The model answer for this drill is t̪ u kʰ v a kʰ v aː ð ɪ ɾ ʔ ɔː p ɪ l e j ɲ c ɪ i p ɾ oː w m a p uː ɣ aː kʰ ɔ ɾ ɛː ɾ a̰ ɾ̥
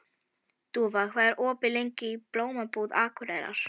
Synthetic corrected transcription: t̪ u v a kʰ v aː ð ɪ ɾ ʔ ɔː p ɪ l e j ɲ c ɪ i p l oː w m a p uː ð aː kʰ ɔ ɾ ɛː ɾ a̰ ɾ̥